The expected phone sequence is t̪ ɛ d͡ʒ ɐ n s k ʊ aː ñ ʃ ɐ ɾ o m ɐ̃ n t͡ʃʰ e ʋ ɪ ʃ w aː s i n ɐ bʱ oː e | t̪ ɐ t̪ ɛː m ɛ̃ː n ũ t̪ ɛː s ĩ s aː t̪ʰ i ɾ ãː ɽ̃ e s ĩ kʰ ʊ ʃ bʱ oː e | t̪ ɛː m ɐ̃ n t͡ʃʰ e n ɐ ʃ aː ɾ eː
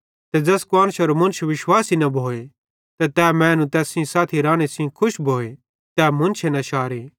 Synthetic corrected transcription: t̪ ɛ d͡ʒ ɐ s k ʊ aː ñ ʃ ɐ ɾ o m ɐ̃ n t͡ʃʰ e ʋ ɪ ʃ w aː s i n ɐ bʱ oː e | t̪ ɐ t̪ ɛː m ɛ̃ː n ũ t̪ ɛː s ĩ s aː t̪ʰ i ɾ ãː ɽ̃ e s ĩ kʰ ʊ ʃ bʱ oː e | t̪ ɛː m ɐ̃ n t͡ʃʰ e n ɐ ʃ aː ɾ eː